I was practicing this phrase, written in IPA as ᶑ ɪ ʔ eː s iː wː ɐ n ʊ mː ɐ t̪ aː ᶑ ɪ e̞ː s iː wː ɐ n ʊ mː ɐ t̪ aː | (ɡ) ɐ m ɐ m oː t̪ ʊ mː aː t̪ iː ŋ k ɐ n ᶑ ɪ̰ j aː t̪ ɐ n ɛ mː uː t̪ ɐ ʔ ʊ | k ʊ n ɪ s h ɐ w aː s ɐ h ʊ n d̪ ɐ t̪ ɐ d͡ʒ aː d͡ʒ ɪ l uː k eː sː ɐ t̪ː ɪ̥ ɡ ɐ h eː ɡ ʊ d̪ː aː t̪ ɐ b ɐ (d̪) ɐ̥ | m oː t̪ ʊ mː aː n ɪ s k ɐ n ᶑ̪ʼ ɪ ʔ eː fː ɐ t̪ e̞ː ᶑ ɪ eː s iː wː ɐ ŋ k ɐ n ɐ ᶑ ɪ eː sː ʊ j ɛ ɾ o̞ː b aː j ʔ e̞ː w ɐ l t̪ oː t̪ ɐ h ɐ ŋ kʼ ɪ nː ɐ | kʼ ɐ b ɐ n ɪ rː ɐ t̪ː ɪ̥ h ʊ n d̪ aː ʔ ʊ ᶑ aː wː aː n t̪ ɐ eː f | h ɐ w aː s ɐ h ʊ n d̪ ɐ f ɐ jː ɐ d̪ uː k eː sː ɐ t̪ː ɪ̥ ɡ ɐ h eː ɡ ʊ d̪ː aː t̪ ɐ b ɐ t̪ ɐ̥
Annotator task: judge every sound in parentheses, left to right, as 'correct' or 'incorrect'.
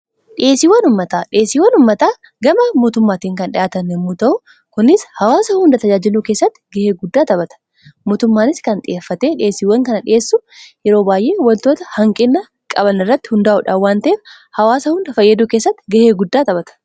correct, incorrect

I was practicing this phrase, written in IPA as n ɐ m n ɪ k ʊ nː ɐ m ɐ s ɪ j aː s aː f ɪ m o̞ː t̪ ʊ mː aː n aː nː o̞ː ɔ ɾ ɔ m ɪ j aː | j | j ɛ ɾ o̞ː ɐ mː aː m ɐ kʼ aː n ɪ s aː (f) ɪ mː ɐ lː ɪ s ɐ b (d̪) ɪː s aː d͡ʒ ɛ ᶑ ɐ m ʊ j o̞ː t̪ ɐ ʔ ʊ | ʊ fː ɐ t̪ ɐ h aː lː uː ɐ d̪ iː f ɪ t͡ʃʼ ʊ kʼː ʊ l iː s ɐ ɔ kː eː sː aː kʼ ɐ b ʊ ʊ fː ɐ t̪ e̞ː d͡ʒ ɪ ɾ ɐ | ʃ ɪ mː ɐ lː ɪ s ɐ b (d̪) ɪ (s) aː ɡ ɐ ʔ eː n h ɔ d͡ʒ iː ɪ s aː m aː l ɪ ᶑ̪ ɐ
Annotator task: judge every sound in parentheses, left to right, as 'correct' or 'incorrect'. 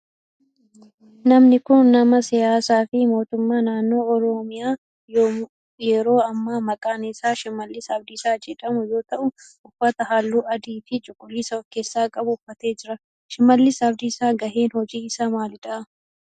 incorrect, correct, correct, correct

